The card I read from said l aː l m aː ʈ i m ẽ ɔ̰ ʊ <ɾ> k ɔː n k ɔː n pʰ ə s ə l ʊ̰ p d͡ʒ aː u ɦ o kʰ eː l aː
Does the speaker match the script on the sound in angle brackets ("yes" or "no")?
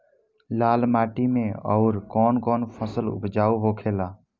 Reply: yes